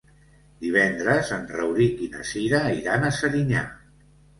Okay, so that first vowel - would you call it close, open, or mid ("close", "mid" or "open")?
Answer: close